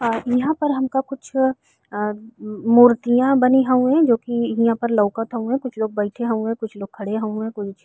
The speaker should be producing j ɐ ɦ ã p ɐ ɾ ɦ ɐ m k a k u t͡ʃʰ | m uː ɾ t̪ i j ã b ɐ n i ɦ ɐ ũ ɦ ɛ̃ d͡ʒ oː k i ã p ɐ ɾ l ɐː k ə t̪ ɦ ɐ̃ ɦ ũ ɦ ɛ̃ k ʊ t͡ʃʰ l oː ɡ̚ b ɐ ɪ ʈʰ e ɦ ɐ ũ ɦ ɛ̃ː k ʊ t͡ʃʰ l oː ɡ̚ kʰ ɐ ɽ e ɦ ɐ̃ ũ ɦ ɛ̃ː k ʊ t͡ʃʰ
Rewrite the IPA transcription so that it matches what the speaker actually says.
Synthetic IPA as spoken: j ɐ ɦ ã p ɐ ɾ ɦ ɐ m k a k ʊ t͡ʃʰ | m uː ɾ t̪ i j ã b ɐ n i ɦ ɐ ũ ɦ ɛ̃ d͡ʒ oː k i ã p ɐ ɾ l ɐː k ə t̪ ɦ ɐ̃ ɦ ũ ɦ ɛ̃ k ʊ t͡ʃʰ l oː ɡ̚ b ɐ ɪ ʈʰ e ɦ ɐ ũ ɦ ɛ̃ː k ʊ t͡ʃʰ l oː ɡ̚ kʰ ɐ ɽ e ɦ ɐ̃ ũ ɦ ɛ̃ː k ʊ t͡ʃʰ